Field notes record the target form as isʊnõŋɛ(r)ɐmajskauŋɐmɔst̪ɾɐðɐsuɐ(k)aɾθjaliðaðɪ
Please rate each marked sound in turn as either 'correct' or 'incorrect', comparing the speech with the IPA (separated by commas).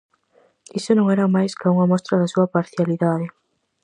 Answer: incorrect, incorrect